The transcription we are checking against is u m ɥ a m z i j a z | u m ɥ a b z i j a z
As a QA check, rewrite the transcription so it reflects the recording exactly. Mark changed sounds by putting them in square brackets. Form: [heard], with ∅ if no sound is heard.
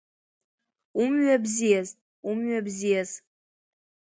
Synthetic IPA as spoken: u m ɥ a [b] z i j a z | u m ɥ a b z i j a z